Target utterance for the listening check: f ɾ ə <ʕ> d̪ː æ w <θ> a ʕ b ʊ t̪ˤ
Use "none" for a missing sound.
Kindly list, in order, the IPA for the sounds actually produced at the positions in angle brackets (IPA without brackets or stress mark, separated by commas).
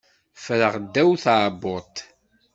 ʁ, θ